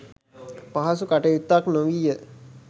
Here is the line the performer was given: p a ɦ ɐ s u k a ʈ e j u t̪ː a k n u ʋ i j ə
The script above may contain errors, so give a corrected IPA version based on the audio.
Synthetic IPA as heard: p a ɦ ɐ s u k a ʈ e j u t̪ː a k n o ʋ i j ə